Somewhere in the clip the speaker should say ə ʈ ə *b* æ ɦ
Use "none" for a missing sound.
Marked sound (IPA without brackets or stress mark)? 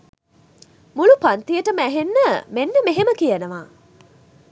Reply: m